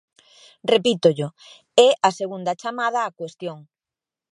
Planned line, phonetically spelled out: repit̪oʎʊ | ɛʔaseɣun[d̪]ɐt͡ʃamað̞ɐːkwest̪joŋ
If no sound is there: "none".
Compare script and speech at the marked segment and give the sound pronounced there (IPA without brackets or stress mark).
d̪